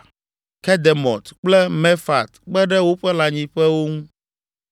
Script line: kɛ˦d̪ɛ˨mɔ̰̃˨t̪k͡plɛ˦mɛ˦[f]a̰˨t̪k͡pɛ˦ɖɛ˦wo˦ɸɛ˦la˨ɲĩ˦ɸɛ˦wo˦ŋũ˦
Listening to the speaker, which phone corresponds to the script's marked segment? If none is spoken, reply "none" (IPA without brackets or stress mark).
f